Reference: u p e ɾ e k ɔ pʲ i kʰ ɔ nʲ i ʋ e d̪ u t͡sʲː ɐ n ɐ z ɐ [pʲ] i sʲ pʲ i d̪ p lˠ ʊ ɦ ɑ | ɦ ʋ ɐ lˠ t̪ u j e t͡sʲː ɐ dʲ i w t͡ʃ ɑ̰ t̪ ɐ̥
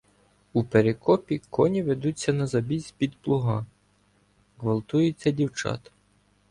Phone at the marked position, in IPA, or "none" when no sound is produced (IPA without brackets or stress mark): bʲ